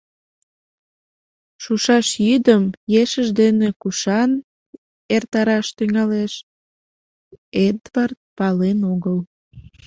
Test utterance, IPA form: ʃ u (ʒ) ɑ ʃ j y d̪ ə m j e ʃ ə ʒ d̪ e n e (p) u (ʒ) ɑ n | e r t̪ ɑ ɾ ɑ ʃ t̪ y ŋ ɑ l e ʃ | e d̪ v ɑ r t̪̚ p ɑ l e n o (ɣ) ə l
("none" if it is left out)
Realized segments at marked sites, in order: ʃ, k, ʃ, ɣ

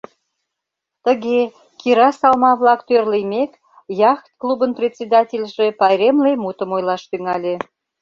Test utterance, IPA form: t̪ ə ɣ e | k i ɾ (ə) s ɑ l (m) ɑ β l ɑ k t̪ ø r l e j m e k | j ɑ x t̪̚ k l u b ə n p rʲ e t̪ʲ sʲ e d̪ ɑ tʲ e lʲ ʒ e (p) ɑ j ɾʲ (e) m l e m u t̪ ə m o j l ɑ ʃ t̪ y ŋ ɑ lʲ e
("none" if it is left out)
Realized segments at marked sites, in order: ɑ, m, p, e

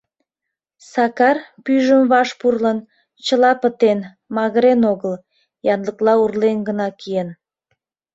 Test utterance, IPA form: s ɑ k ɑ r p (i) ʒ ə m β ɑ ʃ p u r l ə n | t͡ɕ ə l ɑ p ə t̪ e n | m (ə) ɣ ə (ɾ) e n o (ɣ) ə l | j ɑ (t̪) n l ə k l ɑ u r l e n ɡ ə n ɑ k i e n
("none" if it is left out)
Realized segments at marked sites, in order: y, ɑ, ɾ, ɣ, none

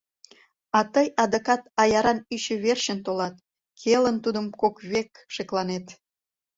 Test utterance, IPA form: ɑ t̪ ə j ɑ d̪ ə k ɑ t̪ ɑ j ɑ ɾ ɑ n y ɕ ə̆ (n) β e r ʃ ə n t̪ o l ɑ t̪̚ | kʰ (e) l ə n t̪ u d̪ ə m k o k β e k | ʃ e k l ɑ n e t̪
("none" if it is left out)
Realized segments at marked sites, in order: none, e

